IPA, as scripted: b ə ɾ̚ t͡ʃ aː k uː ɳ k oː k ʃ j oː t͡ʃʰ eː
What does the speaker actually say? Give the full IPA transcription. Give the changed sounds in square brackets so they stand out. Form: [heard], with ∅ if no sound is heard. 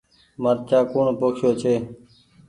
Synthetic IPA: [m] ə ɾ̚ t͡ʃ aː k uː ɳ [p] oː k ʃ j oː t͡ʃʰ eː